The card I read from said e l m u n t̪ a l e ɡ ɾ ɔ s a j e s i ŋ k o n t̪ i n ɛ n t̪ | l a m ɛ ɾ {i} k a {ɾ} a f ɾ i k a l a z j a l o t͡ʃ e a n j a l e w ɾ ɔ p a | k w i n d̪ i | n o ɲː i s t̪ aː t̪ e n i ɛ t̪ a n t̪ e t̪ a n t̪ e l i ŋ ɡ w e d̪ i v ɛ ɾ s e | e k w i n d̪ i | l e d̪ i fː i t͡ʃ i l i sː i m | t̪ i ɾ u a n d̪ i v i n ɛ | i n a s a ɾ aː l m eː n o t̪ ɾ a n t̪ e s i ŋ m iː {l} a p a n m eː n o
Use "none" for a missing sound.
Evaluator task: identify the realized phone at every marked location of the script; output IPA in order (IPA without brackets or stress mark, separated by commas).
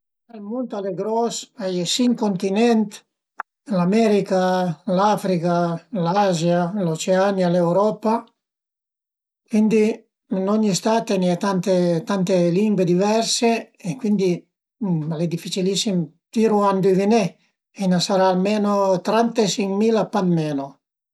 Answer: i, l, l